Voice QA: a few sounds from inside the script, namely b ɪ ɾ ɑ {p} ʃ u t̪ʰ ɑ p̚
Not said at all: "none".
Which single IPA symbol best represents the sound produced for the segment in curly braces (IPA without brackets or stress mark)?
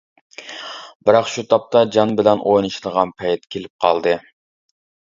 q